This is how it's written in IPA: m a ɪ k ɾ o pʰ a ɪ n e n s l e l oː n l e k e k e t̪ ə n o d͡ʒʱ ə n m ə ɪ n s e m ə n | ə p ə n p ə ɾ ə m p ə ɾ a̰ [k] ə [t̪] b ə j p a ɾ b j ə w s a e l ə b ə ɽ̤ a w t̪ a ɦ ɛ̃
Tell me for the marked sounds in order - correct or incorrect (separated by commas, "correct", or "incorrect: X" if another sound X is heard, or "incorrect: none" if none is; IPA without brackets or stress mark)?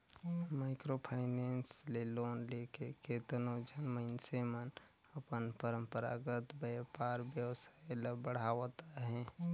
incorrect: ɡ, correct